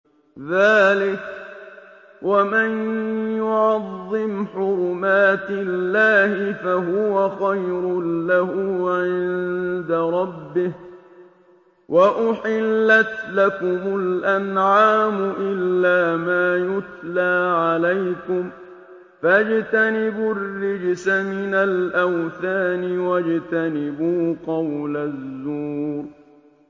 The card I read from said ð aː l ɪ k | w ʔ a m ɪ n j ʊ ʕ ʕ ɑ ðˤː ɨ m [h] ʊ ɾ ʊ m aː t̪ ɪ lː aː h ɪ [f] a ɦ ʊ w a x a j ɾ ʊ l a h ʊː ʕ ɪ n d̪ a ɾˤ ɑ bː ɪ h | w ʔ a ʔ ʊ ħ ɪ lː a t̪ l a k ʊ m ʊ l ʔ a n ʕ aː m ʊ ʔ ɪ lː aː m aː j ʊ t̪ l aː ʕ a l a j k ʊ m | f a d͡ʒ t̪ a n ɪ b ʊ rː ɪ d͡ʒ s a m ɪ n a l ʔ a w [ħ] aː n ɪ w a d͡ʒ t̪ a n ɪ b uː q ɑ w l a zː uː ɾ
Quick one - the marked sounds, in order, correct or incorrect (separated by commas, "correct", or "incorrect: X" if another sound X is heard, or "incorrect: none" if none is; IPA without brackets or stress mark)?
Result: incorrect: ħ, correct, incorrect: θ